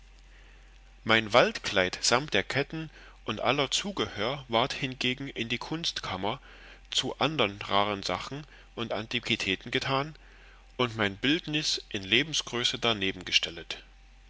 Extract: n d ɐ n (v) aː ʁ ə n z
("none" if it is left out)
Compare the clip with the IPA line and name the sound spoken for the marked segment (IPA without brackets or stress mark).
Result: ʁ